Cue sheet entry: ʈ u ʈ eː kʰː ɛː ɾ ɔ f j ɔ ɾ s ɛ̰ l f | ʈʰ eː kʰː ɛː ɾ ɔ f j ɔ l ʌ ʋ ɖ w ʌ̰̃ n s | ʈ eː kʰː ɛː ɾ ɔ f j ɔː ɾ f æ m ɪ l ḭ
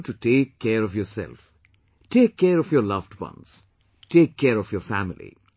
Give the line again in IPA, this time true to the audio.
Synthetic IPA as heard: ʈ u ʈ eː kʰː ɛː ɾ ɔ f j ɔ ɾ s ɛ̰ l f | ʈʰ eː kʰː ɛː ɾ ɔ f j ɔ l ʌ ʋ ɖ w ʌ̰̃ n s | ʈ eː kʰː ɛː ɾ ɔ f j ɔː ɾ f æ m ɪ l ḭ